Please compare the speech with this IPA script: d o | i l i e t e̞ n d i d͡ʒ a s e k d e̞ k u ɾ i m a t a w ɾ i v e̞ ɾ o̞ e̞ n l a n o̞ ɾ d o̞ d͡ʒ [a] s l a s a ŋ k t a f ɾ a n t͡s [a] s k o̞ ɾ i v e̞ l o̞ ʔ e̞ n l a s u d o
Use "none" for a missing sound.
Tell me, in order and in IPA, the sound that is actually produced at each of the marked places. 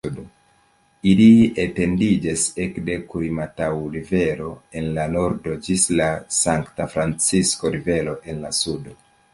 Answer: i, i

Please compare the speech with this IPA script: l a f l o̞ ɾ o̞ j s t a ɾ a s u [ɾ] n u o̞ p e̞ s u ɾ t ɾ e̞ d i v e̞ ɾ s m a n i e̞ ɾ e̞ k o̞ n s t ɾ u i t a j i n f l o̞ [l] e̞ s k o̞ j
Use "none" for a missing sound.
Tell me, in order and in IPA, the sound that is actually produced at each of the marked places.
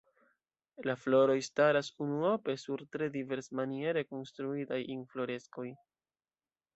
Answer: none, ɾ

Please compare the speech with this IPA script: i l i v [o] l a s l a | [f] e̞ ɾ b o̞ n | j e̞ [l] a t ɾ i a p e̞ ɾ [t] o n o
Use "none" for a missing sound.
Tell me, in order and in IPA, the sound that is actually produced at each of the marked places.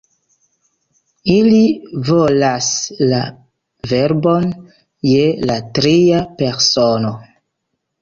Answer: o, v, l, s

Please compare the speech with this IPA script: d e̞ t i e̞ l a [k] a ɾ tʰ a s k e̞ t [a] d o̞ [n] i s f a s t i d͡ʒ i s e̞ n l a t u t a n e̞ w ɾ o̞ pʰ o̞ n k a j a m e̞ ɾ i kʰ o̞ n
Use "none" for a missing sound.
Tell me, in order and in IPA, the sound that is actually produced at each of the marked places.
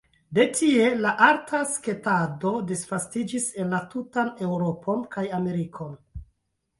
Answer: ʔ, a, d

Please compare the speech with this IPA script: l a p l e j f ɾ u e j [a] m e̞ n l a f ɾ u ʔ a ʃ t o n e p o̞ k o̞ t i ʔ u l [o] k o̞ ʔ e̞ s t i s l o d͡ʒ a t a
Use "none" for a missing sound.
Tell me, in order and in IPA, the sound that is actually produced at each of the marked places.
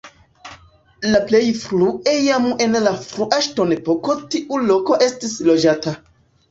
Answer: a, o

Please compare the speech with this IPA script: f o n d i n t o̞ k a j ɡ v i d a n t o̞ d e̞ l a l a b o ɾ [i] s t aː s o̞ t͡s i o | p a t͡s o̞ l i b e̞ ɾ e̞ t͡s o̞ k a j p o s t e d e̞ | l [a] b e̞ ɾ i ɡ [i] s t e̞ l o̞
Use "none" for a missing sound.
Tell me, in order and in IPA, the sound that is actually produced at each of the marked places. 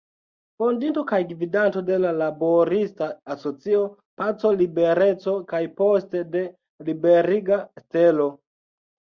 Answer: i, i, a

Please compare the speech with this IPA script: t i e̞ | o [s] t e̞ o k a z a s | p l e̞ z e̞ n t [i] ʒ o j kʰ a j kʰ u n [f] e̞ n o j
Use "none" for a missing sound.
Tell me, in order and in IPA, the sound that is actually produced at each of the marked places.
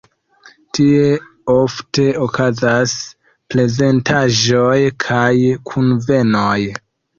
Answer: f, a, v

